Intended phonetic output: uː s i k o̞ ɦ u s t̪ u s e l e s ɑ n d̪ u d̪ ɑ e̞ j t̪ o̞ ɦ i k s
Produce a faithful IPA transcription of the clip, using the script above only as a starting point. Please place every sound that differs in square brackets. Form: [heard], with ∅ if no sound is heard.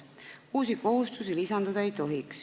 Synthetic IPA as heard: uː s i k o̞ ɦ u s t̪ u s [i] l [i] s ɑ n d̪ u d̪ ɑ e̞ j t̪ o̞ ɦ i k s